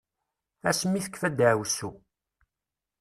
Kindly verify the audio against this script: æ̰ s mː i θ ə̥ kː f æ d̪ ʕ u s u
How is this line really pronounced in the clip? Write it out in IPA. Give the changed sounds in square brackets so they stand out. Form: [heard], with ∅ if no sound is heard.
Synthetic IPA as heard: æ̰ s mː i θ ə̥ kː f æ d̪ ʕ [w] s u

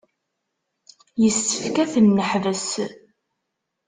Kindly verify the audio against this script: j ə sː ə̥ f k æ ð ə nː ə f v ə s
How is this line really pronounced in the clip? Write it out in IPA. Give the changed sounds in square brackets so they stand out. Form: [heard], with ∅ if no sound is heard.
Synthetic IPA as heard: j ə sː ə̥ f k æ [θ] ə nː ə [ħ] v ə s

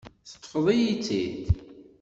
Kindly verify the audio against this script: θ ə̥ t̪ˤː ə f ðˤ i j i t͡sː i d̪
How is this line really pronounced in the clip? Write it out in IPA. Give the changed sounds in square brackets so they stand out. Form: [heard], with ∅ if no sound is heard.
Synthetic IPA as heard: θ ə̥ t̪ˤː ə f ðˤ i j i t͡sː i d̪

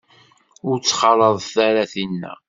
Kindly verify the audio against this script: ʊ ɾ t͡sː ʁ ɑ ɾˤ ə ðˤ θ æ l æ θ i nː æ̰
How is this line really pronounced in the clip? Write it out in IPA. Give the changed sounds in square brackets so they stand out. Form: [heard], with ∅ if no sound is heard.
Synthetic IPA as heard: ʊ ɾ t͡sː [χ] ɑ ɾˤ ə ðˤ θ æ [ɾ] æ θ i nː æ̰

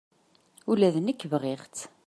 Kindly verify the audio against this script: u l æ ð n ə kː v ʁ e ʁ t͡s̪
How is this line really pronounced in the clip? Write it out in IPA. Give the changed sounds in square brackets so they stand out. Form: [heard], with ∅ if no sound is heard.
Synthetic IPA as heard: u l æ ð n ə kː v ʁ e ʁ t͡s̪

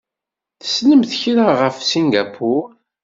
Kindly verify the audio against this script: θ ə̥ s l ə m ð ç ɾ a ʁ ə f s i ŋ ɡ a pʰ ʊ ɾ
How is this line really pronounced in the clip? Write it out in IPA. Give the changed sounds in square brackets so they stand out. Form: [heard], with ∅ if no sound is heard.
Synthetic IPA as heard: θ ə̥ s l ə m [θ] ç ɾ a ʁ ə f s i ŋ ɡ a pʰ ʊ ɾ

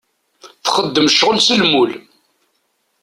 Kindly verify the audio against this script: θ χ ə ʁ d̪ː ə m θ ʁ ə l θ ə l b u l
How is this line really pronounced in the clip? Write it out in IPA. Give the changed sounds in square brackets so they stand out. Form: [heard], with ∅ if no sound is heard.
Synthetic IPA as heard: θ χ ə [∅] d̪ː ə m [ʃ] ʁ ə l [s] ə l [m] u l

